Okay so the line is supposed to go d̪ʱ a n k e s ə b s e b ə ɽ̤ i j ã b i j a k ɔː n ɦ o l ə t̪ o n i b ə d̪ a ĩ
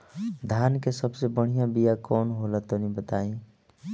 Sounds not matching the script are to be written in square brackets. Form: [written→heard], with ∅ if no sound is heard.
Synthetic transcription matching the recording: d̪ʱ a n k e s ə b s e b ə ɽ̤ i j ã b i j a k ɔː n ɦ o l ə t̪ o n i b ə [d̪→t̪] a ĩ